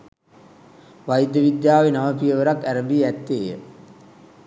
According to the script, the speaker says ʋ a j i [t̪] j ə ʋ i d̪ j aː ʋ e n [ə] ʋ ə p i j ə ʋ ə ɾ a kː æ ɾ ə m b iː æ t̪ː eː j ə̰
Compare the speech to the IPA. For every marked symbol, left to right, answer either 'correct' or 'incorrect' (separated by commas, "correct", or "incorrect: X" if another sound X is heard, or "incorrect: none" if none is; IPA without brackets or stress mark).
incorrect: d̪, incorrect: a